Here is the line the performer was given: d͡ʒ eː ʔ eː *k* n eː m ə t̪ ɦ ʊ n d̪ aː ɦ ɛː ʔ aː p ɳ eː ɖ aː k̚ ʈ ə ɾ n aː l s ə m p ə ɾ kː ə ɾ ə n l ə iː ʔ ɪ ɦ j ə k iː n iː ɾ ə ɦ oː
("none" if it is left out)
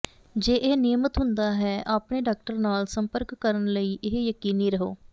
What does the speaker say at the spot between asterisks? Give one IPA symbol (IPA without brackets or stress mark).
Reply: none